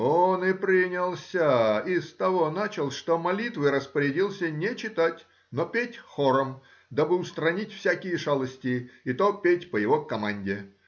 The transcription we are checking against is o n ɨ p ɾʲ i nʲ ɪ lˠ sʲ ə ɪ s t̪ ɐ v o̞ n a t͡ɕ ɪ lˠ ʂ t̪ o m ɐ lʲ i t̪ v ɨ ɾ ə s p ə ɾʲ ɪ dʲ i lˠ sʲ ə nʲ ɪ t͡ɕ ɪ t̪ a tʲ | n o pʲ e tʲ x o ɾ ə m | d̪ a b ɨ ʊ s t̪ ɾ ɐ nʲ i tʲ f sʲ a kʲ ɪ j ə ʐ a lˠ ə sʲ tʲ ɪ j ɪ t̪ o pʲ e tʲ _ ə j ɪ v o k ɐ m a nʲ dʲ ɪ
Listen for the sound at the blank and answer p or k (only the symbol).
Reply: p